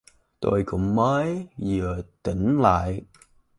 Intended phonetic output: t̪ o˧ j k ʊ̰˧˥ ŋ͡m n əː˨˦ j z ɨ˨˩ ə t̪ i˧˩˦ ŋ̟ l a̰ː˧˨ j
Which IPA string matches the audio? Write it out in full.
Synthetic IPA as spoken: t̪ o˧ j k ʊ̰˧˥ ŋ͡m m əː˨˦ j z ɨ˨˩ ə t̪ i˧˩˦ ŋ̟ l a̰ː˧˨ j